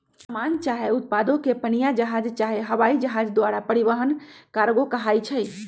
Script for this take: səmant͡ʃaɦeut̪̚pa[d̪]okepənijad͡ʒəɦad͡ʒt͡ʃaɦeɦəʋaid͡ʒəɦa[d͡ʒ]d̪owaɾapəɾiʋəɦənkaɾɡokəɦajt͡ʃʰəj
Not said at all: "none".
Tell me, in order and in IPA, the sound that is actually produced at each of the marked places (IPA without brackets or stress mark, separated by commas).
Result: d̪, d͡ʒ